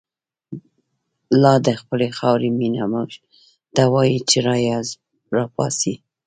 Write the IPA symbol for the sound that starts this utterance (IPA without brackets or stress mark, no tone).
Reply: l